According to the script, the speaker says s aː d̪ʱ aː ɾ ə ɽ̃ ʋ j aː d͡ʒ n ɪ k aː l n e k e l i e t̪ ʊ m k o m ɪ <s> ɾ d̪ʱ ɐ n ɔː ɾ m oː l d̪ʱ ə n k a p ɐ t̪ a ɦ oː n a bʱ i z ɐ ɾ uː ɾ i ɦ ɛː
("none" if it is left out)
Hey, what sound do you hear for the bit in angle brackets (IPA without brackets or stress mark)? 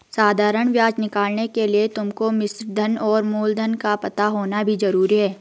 s